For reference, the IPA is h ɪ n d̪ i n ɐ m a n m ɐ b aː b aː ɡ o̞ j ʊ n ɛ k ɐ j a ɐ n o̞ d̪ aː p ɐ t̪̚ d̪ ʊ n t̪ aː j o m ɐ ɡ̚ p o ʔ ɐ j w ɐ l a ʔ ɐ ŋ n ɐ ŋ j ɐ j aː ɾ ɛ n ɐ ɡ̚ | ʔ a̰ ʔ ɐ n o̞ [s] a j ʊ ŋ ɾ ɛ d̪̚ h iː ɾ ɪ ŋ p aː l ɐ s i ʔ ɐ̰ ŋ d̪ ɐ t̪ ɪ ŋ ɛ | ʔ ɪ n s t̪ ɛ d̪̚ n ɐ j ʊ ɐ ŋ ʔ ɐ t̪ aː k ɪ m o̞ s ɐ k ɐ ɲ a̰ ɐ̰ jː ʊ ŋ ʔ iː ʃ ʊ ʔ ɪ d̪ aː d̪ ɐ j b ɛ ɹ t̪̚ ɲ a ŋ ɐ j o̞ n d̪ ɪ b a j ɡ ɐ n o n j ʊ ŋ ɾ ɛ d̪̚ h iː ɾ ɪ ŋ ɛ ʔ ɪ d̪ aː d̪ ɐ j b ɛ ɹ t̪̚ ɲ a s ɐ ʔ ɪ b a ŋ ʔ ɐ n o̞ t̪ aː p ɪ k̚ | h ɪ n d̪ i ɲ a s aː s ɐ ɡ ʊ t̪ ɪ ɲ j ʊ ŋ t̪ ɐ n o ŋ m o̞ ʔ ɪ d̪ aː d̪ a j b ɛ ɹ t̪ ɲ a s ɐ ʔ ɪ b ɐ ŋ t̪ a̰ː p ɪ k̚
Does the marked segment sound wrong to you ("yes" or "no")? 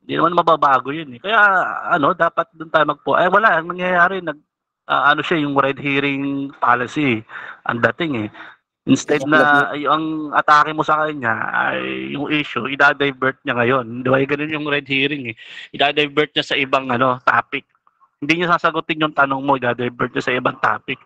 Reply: yes